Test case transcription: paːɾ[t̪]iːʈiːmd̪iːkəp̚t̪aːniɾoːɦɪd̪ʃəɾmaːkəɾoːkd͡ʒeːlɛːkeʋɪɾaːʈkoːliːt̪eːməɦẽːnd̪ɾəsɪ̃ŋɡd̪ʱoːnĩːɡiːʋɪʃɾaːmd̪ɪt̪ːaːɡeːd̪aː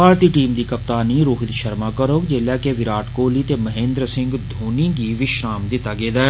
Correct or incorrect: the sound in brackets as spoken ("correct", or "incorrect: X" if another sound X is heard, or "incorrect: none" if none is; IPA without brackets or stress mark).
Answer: correct